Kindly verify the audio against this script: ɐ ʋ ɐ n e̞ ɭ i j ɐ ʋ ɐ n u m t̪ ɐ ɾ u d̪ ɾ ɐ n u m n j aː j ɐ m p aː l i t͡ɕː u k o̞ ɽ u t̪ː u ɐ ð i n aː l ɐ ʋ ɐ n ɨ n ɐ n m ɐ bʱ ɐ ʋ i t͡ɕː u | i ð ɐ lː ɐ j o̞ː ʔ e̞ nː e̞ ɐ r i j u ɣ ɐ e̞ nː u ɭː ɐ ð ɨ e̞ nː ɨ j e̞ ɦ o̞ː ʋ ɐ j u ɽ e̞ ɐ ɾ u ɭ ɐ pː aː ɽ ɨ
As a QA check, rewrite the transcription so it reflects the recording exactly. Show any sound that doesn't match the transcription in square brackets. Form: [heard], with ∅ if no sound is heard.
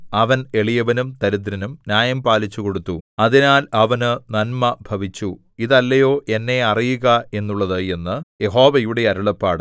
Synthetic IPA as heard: ɐ ʋ ɐ n e̞ ɭ i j ɐ ʋ ɐ n u m t̪ ɐ ɾ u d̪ ɾ ɐ n u m n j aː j ɐ m p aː l i t͡ɕː u k o̞ ɽ u t̪ː u ɐ ð i n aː l ɐ ʋ ɐ n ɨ n ɐ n m ɐ bʱ ɐ ʋ i t͡ɕː u | i ð ɐ lː ɐ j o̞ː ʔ e̞ nː e̞ ɐ r i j u ɣ ɐ e̞ nː u ɭː ɐ ð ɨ e̞ nː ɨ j e̞ ɦ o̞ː ʋ ɐ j u ɽ e̞ ɐ ɾ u ɭ ɐ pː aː ɽ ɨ